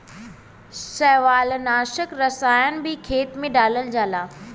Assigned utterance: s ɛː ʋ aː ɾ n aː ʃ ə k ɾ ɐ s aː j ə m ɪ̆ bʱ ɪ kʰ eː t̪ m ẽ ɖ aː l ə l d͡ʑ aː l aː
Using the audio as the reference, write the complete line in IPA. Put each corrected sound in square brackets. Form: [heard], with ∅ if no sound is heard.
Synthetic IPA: s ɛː ʋ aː [l] n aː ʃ ə k ɾ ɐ s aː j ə [n] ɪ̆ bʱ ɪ kʰ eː t̪ m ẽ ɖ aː l ə l d͡ʑ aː l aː